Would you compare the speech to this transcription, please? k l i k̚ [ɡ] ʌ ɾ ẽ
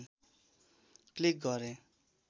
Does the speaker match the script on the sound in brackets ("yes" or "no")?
yes